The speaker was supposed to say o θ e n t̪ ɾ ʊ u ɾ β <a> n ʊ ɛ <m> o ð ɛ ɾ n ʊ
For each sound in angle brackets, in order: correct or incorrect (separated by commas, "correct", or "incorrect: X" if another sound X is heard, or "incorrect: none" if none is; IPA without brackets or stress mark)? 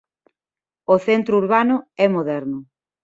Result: correct, correct